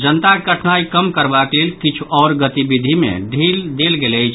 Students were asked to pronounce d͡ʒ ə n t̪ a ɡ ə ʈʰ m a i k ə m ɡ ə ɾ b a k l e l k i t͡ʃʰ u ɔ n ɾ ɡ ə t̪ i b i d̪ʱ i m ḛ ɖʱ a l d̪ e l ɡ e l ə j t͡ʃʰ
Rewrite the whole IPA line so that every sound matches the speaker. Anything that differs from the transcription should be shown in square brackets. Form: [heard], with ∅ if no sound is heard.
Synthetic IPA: d͡ʒ ə n t̪ a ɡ ə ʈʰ [n] a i k ə m [k] ə ɾ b a k l e l k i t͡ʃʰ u ɔ [∅] ɾ ɡ ə t̪ i b i d̪ʱ i m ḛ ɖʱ [i] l d̪ e l ɡ e l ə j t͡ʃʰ